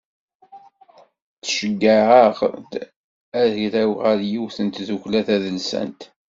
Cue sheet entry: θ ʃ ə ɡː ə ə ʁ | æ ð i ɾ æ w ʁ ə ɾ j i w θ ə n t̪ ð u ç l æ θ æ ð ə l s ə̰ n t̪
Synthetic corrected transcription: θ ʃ ə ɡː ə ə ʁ | æ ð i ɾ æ w ʁ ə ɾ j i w θ ə n t̪ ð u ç l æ θ æ ð ə l s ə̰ n t̪